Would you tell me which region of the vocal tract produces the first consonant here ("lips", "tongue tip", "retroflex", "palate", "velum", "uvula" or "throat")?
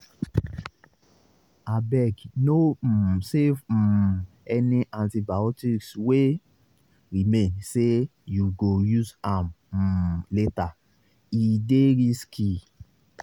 lips